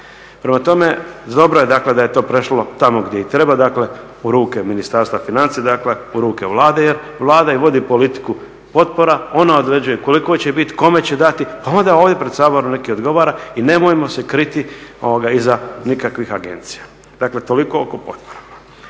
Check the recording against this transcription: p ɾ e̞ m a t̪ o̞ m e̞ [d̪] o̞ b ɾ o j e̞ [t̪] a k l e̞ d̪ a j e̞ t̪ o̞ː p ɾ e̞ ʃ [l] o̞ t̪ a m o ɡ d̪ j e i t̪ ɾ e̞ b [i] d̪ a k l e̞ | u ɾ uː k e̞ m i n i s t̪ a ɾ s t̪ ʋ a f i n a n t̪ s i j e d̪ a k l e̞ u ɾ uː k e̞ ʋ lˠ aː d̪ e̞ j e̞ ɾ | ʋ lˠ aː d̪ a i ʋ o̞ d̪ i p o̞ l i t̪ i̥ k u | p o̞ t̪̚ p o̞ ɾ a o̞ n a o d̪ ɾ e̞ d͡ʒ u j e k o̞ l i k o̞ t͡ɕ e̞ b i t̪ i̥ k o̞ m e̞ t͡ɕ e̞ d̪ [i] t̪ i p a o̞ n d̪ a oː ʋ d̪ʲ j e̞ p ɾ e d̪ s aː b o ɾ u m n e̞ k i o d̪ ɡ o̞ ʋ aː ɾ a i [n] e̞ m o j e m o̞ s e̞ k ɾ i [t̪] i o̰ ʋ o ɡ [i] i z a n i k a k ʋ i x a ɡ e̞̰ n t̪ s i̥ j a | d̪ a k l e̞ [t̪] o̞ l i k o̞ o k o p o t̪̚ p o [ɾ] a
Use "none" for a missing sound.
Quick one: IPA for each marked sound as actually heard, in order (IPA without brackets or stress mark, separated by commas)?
d̪, d̪, l, a, a, n, t̪, a, t̪, ɾ